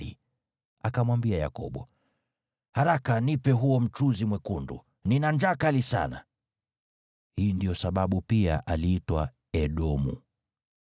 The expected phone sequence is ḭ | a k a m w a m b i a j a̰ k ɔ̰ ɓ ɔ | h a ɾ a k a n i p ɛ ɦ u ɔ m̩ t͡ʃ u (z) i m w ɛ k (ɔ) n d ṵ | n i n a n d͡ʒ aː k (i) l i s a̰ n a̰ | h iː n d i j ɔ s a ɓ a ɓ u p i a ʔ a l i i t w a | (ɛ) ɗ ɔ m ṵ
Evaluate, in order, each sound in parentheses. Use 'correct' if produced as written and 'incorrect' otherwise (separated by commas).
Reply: correct, incorrect, incorrect, correct